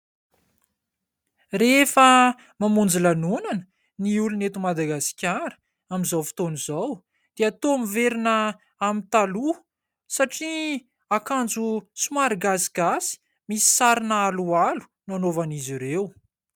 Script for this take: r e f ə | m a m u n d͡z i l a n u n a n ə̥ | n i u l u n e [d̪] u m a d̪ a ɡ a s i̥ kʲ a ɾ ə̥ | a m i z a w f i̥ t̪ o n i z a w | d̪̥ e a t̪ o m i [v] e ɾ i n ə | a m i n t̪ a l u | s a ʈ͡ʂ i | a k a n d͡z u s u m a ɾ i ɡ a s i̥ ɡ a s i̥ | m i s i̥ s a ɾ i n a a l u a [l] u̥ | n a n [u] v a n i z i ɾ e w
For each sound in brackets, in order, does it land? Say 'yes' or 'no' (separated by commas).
no, yes, yes, no